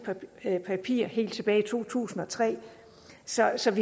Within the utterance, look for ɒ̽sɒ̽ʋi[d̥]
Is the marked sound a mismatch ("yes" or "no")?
yes